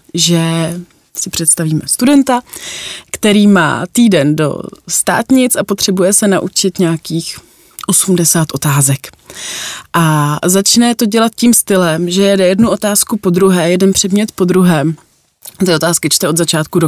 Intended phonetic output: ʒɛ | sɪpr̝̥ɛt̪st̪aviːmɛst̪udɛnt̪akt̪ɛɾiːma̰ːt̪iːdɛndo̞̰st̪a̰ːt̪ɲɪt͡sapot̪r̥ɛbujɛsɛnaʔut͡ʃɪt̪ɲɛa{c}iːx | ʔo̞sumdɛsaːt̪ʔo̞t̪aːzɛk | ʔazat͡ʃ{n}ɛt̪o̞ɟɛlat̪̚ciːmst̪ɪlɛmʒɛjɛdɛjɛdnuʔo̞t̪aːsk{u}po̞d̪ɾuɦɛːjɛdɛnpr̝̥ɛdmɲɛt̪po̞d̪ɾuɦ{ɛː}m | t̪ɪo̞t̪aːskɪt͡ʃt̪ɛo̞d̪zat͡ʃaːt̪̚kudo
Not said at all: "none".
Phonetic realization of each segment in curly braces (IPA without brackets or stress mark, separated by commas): k, n, u, ɛː